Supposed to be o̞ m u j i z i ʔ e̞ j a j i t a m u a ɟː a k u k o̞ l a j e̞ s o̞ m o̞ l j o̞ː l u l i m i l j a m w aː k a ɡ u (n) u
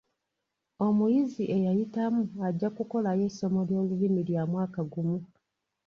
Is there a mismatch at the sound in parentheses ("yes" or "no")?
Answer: yes